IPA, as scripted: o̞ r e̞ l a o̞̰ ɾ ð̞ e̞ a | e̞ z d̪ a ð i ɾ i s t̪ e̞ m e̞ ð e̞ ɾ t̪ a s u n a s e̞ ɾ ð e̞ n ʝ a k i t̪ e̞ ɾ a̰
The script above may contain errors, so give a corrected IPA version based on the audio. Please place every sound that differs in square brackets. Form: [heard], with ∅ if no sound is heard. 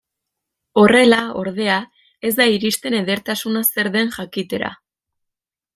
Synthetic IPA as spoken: o̞ r e̞ l a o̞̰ ɾ ð̞ e̞ a | e̞ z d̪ a [∅] i ɾ i s t̪ e̞ [n] e̞ ð e̞ ɾ t̪ a s u n a s e̞ ɾ ð e̞ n ʝ a k i t̪ e̞ ɾ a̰

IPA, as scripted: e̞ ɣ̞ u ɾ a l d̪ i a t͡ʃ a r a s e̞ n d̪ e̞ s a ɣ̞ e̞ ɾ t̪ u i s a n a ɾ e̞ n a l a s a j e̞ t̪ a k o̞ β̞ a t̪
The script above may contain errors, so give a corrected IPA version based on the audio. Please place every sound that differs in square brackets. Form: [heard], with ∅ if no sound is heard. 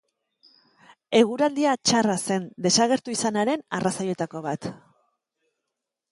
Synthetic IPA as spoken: e̞ ɣ̞ u ɾ a l d̪ i a t͡ʃ a r a s e̞ n d̪ e̞ s a ɣ̞ e̞ ɾ t̪ u i s a n a ɾ e̞ n a [r] a s a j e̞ t̪ a k o̞ β̞ a t̪

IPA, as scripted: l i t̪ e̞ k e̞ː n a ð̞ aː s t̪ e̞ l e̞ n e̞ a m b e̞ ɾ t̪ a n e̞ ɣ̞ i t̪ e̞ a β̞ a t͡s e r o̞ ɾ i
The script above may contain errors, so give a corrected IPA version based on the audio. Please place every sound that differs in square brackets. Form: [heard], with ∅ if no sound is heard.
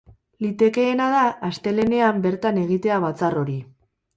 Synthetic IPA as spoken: l i t̪ e̞ k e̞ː n a ð̞ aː s t̪ e̞ l e̞ n e̞ a m b e̞ ɾ t̪ a n e̞ ɣ̞ i t̪ e̞ a β̞ a t͡s [a] r o̞ ɾ i

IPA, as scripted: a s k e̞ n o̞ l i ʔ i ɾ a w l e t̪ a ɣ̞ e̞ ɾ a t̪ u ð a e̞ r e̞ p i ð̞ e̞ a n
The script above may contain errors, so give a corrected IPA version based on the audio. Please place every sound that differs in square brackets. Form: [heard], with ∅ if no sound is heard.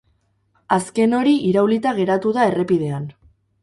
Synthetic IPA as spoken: a s k e̞ n o̞ [ɾ] i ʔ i ɾ a w l [i] t̪ a ɣ̞ e̞ ɾ a t̪ u ð a e̞ r e̞ p i ð̞ e̞ a n

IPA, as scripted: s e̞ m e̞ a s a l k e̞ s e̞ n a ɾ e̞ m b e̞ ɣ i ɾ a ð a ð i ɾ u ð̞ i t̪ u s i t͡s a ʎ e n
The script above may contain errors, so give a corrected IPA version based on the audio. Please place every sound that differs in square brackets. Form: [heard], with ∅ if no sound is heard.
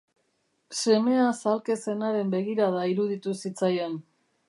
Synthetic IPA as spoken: s e̞ m e̞ a s a l k e̞ s e̞ n a ɾ e̞ m b e̞ ɣ i ɾ a ð a [∅] i ɾ u ð̞ i t̪ u s i t͡s a [j] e n

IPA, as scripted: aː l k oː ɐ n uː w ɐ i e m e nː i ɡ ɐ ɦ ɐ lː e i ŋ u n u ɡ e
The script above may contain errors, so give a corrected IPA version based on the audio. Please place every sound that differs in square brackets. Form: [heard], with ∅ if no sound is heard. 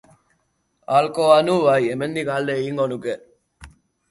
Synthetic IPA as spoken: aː l k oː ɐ n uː [ʋ] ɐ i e m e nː i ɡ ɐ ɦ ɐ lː e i ŋ [o] n u ɡ e

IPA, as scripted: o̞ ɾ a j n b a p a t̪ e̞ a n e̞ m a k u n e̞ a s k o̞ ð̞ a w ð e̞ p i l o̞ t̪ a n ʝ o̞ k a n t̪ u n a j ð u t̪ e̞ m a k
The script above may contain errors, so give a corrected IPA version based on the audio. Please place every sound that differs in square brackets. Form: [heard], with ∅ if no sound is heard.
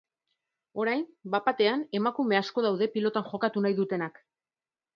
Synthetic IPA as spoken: o̞ ɾ a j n b a p a t̪ e̞ a n e̞ m a k u [m] e̞ a s k o̞ ð̞ a w ð e̞ p i l o̞ t̪ a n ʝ o̞ k a [∅] t̪ u n a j ð u t̪ e̞ [n] a k

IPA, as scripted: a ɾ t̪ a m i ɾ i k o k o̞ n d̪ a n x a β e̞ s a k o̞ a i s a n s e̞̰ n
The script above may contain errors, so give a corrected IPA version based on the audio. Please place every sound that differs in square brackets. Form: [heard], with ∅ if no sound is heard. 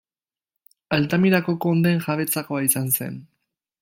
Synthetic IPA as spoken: a [l] t̪ a m i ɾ [a] k o k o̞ n d̪ [e] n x a β e̞ [t͡s] a k o̞ a i s a n s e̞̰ n

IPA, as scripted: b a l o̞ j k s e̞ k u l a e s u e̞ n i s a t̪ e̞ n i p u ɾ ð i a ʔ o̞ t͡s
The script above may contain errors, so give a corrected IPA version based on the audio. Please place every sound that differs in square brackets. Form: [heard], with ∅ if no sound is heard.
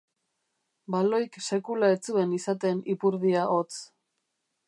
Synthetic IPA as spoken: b a l o̞ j k s e̞ k u l a e [t͡s] u e̞ n i s a t̪ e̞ n i p u ɾ ð i a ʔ o̞ t͡s

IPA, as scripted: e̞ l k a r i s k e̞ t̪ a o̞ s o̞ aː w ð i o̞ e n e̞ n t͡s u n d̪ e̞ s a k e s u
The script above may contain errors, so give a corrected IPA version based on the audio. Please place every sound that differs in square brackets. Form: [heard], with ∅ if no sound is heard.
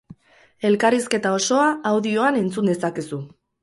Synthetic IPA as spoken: e̞ l k a r i s k e̞ t̪ a o̞ s o̞ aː w ð i o̞ [a] n e̞ n t͡s u n d̪ e̞ s a k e s u

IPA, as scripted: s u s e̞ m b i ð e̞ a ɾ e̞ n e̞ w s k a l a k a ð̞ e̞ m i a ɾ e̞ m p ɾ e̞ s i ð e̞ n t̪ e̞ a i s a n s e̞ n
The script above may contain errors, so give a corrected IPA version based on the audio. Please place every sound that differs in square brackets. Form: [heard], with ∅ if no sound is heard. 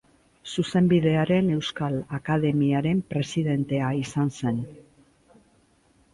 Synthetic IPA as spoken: s u s e̞ m b i ð e̞ a ɾ e̞ n e̞ w s k a l a k a ð̞ e̞ m i a ɾ e̞ m p ɾ e̞ s i ð e̞ n t̪ e̞ a i s a n s e̞ n

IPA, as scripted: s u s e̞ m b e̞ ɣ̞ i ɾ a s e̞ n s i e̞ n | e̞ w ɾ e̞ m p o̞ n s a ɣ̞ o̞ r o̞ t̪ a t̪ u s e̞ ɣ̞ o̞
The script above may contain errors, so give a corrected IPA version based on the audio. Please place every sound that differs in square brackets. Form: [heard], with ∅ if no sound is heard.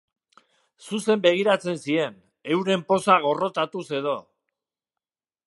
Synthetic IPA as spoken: s u s e̞ m b e̞ ɣ̞ i ɾ a [t͡s] e̞ n s i e̞ n | e̞ w ɾ e̞ m p o̞ [∅] s a ɣ̞ o̞ r o̞ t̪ a t̪ u s e̞ [ð̞] o̞

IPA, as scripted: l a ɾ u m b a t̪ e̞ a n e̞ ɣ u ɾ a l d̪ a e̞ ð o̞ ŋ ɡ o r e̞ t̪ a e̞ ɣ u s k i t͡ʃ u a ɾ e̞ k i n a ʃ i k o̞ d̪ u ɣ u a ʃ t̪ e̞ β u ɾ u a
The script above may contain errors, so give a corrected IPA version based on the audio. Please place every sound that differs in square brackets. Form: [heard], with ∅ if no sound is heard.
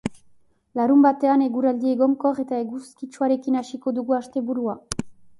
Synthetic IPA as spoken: l a ɾ u m b a t̪ e̞ a n e̞ ɣ u ɾ a l d̪ [i] e̞ [ɣ] o̞ ŋ [k] o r e̞ t̪ a e̞ ɣ u s k i t͡ʃ u a ɾ e̞ k i n a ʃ i k o̞ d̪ u ɣ u a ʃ t̪ e̞ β u ɾ u a

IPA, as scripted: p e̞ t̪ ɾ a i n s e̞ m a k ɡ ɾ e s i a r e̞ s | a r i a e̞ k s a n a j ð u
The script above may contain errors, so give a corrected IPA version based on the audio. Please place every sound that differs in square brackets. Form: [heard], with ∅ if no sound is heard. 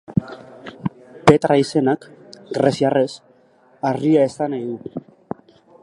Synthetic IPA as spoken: p e̞ t̪ ɾ a i [∅] s e̞ [n] a k ɡ ɾ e s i a r e̞ s | a r i a e̞ [∅] s a n a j ð u

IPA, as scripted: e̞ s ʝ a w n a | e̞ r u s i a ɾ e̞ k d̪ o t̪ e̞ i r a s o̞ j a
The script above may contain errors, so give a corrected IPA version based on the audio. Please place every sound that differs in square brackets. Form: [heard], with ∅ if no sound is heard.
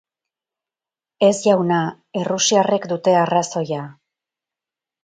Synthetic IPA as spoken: e̞ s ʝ a w n a | e̞ r u s i a [r] e̞ k d̪ [u] t̪ e̞ [a] r a s o̞ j a

